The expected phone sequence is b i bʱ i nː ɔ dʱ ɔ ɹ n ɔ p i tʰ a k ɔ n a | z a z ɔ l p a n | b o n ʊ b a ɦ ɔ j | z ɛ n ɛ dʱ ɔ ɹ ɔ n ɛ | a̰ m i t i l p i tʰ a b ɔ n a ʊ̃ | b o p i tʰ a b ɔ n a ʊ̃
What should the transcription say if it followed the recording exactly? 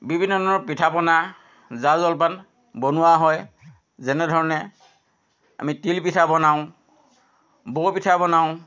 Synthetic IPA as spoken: b i bʱ i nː ɔ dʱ ɔ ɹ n ɔ p i tʰ a p ɔ n a | z a z ɔ l p a n | b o n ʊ w a ɦ ɔ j | z ɛ n ɛ dʱ ɔ ɹ ɔ n ɛ | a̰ m i t i l p i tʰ a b ɔ n a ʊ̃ | b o p i tʰ a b ɔ n a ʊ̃